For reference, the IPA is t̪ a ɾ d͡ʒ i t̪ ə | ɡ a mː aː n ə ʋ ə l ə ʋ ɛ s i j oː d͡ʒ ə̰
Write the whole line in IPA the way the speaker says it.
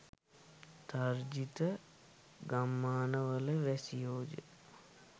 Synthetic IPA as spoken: t̪ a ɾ d͡ʒ i t̪ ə | ɡ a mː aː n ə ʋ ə l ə ʋ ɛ s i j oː d͡ʒ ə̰

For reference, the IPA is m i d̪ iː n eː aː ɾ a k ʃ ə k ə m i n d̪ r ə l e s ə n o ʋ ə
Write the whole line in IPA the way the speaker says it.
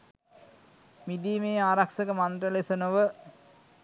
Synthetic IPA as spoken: m i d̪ iː m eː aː ɾ a k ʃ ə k ə m a n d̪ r ə l e s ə n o ʋ ə

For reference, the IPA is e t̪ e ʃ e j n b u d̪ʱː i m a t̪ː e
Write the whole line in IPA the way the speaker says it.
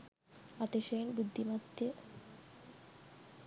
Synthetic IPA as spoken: a t̪ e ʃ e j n b u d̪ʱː i m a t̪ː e

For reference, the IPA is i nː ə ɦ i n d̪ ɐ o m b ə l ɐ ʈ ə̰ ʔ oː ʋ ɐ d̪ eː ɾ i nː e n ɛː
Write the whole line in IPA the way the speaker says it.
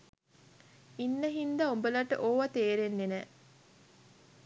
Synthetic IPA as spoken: i nː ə ɦ i n d̪ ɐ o m b ə l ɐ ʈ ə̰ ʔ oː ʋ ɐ t̪ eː ɾ e nː e n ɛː

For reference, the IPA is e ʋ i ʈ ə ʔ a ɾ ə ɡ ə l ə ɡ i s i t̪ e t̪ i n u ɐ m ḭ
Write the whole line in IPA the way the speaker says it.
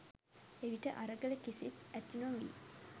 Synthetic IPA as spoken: e ʋ i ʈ ə ʔ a ɾ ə ɡ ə l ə k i s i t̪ æ t̪ i n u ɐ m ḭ

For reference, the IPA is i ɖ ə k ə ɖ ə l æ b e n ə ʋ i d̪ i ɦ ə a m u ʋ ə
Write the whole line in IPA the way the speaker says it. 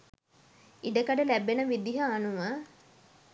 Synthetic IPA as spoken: i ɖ ə k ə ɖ ə l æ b e n ə ʋ i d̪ i ɦ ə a n u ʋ ə

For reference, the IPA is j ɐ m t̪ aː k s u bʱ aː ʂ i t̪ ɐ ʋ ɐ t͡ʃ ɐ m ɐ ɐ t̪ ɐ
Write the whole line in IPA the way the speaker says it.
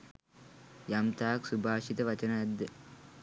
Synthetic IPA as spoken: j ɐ m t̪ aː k s u bʱ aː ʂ i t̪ ɐ ʋ ɐ t͡ʃ ɐ n ɐ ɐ d̪ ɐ

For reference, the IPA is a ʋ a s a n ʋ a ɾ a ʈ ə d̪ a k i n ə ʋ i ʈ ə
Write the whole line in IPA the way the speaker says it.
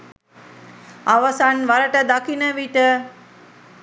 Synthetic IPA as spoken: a ʋ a s a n ʋ a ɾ ə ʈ ə d̪ a k i n ə ʋ i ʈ ə

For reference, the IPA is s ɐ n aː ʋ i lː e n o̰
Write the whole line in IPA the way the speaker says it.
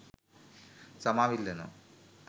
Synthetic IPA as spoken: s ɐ m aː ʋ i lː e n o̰

